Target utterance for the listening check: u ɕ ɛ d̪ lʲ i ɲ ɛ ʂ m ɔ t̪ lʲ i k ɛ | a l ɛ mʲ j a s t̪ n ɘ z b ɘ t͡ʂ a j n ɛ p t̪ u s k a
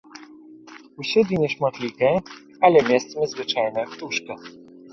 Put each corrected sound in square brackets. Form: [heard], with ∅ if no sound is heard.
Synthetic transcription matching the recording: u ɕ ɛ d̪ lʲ i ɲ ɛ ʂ m ɔ t̪ lʲ i k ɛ | a l ɛ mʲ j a s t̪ [m] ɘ z [v] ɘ t͡ʂ a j n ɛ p t̪ u [ʂ] k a

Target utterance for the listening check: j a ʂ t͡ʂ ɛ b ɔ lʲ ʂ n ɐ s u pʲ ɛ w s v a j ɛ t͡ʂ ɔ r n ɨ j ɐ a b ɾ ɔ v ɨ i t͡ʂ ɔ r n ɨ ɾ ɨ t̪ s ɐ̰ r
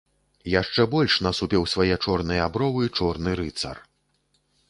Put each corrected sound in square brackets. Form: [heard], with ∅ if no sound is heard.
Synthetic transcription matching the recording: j a ʂ t͡ʂ ɛ b ɔ lʲ ʂ n ɐ s u pʲ ɛ w s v a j ɛ t͡ʂ ɔ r n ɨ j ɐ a b ɾ ɔ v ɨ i t͡ʂ ɔ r n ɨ ɾ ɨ t̪ s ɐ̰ r

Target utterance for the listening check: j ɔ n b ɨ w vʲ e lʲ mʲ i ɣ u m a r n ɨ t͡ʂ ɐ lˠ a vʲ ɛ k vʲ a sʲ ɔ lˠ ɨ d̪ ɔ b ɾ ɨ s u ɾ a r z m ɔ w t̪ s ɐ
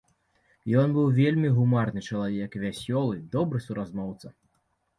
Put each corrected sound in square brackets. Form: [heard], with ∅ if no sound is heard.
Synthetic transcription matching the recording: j ɔ n b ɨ w vʲ e lʲ mʲ i ɣ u m a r n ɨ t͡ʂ ɐ lˠ a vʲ ɛ k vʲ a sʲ ɔ lˠ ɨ d̪ ɔ b ɾ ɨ s u ɾ a [∅] z m ɔ w t̪ s ɐ

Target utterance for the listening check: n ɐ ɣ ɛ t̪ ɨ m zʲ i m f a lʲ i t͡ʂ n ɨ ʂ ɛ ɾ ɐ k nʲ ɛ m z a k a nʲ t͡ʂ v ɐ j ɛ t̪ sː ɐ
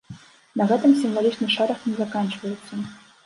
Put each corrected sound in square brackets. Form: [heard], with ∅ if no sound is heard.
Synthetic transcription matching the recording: n ɐ ɣ ɛ t̪ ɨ m [sʲ] i m [v] a lʲ i t͡ʂ n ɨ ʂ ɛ ɾ ɐ [x] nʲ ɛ [∅] z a k a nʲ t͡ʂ v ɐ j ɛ t̪ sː ɐ

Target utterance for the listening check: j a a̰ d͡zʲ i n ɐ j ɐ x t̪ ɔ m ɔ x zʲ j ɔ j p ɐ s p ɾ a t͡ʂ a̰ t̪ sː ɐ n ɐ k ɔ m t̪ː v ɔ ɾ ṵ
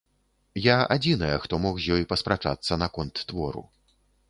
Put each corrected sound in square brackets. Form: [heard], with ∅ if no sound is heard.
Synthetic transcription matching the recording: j a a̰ d͡zʲ i n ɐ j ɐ x t̪ ɔ m ɔ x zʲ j ɔ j p ɐ s p ɾ a t͡ʂ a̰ t̪ sː ɐ n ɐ k ɔ [n] t̪ː v ɔ ɾ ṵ

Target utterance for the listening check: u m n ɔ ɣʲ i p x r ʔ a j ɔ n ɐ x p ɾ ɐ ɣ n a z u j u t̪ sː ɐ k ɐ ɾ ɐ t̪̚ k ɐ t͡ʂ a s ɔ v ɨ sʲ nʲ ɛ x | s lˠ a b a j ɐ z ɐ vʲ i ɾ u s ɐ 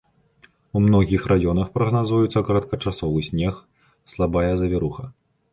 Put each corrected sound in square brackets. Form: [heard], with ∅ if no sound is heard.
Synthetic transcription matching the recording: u m n ɔ ɣʲ i [∅] x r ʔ a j ɔ n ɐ x p ɾ ɐ ɣ n a z u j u t̪ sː ɐ k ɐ ɾ ɐ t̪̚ k ɐ t͡ʂ a s ɔ v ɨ sʲ nʲ ɛ x | s lˠ a b a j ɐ z ɐ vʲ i ɾ u [x] ɐ

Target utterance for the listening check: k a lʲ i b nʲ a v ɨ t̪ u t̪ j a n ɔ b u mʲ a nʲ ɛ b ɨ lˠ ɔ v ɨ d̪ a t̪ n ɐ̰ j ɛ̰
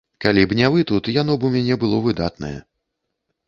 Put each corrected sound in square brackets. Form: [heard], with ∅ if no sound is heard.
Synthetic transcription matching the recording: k a lʲ i b nʲ a v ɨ t̪ u t̪ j a n ɔ b u mʲ a nʲ ɛ b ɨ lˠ ɔ v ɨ d̪ a t̪ n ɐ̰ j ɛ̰

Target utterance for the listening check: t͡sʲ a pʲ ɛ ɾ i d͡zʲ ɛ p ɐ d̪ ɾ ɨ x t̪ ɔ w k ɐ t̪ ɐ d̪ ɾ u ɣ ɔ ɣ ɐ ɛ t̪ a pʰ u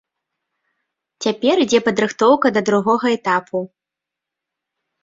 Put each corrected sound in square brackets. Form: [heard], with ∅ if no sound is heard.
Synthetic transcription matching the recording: t͡sʲ a pʲ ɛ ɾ i d͡zʲ ɛ p ɐ d̪ ɾ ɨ x t̪ ɔ w k ɐ [d̪] ɐ d̪ ɾ u ɣ ɔ ɣ ɐ ɛ t̪ a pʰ u

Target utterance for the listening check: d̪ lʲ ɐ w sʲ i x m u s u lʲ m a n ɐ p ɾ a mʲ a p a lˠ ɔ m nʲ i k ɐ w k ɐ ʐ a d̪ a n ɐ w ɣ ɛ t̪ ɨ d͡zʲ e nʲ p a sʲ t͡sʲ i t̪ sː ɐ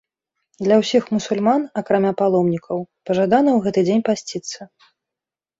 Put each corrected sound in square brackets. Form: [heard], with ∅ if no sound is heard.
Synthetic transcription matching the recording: d̪ lʲ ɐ w sʲ i x m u s u lʲ m a n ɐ [k] ɾ a mʲ a p a lˠ ɔ m nʲ i k ɐ w [p] ɐ ʐ a d̪ a n ɐ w ɣ ɛ t̪ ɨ d͡zʲ e nʲ p a sʲ t͡sʲ i t̪ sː ɐ

